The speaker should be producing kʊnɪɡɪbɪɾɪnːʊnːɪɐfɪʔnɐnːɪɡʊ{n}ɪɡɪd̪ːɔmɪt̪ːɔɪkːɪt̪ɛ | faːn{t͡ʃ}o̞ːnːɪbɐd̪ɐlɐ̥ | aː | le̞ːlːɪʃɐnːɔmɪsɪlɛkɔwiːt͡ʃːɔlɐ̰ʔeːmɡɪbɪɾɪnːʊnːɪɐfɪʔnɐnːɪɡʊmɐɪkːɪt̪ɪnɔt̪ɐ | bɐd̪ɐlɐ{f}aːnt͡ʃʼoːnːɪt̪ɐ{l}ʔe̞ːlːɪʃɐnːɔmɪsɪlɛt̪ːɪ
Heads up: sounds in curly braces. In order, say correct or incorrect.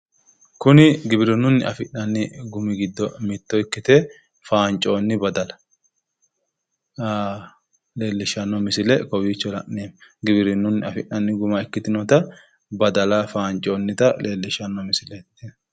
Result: incorrect: m, incorrect: t͡ʃʼ, correct, correct

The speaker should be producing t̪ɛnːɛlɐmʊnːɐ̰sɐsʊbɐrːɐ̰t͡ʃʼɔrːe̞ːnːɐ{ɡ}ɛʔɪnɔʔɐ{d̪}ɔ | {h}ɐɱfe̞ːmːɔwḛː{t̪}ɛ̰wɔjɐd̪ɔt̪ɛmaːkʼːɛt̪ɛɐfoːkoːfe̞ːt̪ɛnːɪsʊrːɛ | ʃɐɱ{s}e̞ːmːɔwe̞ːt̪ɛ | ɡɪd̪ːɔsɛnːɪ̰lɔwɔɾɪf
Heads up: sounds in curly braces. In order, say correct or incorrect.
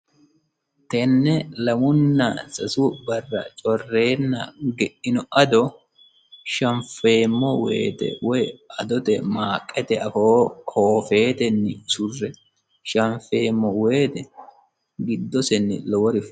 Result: correct, correct, incorrect: ʃ, correct, incorrect: f

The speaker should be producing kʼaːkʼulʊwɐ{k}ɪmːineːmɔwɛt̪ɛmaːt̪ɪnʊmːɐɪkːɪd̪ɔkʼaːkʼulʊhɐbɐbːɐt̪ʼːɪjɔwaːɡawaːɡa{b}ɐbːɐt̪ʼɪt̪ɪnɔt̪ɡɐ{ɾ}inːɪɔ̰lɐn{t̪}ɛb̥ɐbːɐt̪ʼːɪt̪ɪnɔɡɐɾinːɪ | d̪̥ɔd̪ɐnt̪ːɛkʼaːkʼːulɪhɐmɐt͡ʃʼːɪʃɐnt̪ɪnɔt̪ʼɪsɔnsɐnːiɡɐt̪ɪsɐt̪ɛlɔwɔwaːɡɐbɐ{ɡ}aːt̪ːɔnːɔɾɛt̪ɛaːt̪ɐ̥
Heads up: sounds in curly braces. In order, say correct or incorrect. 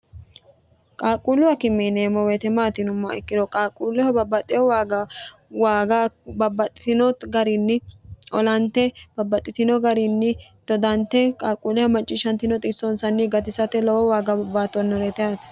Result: correct, correct, correct, correct, incorrect: b

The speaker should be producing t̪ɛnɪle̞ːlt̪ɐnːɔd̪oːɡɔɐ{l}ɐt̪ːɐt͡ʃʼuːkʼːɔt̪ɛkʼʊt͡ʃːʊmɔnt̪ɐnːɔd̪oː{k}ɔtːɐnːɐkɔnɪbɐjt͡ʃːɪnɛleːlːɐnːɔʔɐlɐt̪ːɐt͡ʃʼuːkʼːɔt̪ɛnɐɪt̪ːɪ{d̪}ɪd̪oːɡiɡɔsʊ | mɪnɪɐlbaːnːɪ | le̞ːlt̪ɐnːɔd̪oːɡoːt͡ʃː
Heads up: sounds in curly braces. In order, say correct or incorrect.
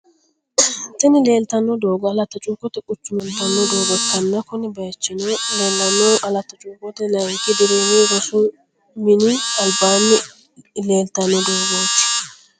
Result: correct, incorrect: ɡ, correct

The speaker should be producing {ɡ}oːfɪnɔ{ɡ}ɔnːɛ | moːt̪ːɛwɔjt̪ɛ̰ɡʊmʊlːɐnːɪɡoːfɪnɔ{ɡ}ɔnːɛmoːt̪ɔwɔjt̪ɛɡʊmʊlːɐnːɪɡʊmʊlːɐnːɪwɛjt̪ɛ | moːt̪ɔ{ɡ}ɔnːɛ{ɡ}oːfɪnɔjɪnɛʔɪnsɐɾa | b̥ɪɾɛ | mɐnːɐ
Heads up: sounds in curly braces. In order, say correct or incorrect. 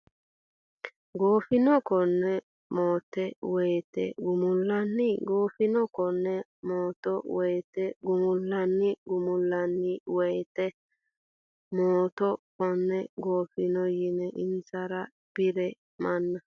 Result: correct, incorrect: k, incorrect: k, incorrect: k, correct

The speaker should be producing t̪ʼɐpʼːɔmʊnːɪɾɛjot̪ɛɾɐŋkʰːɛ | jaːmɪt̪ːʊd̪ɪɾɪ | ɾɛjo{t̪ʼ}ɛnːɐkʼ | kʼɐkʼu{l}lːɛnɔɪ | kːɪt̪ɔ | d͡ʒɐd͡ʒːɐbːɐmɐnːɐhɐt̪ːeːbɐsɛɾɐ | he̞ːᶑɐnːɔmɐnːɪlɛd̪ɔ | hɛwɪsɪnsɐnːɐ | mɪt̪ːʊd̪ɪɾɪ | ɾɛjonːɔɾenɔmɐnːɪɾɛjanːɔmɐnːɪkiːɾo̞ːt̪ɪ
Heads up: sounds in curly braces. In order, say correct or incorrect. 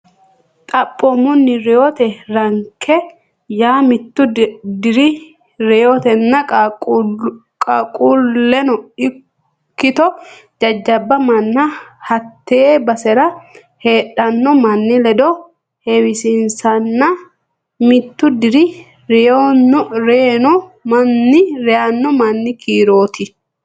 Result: incorrect: t̪, correct

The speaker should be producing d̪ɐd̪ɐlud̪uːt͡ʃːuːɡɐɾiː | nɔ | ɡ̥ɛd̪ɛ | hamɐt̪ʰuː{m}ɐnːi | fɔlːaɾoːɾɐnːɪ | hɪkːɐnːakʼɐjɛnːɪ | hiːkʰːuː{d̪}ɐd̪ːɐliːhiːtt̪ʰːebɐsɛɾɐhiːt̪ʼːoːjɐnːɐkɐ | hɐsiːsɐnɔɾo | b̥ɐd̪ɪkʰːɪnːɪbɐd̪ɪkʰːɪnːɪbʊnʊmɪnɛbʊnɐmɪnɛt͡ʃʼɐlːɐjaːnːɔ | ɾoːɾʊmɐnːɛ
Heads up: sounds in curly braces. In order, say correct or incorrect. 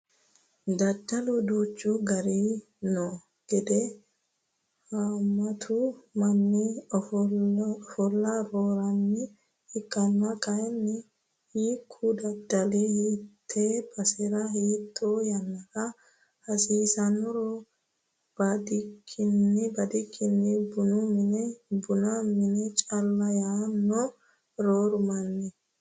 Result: correct, correct

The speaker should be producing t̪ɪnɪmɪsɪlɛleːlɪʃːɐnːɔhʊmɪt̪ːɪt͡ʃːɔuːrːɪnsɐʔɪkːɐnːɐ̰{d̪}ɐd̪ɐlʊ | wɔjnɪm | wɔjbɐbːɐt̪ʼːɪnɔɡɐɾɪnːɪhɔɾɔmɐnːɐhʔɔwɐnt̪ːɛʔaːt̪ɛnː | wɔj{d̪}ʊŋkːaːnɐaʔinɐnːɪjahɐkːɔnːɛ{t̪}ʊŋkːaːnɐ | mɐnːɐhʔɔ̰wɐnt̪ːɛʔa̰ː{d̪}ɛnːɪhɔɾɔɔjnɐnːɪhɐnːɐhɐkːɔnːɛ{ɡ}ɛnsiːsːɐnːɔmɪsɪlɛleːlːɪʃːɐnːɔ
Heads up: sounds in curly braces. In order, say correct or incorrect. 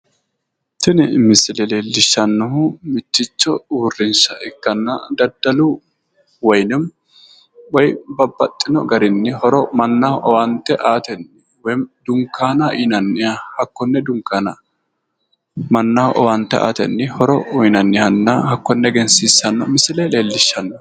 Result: correct, correct, incorrect: d̪, incorrect: t̪, correct

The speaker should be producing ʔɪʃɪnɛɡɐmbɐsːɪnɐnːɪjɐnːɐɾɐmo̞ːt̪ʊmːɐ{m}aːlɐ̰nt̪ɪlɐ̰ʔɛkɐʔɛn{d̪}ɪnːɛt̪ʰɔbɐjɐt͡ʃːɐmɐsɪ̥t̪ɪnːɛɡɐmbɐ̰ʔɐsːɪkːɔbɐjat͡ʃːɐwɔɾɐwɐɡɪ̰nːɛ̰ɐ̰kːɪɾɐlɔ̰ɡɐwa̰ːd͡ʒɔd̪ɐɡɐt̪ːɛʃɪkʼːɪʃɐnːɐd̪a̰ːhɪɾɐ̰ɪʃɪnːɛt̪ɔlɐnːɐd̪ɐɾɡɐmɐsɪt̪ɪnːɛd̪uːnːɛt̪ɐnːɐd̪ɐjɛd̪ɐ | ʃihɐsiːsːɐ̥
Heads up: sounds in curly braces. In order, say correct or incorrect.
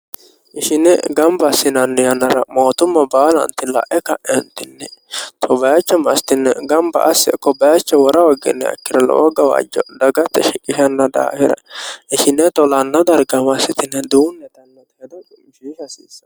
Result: incorrect: b, incorrect: t̪

